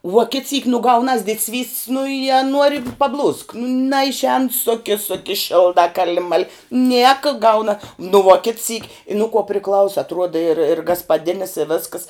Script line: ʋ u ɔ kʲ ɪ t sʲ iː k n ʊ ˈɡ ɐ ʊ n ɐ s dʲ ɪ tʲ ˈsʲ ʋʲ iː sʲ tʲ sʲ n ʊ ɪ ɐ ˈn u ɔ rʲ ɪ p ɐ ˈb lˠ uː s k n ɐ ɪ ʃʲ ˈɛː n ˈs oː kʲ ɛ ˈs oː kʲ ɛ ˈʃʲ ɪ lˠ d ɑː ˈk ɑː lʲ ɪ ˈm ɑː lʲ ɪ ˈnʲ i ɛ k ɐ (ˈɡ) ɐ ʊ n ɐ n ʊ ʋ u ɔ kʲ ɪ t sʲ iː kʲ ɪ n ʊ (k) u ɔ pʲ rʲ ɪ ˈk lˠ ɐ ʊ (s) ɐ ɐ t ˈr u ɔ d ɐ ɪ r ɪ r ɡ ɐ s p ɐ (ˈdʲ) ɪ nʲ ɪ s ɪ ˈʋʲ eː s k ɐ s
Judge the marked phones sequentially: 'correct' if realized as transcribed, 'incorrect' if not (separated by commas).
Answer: correct, correct, correct, correct